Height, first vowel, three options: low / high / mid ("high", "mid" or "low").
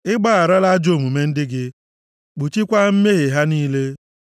high